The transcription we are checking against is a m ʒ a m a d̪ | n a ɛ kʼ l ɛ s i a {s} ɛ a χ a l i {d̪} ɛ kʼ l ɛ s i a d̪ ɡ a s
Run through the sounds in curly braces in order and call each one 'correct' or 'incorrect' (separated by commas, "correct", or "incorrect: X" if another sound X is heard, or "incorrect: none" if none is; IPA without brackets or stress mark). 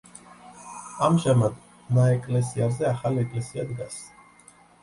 incorrect: z, incorrect: none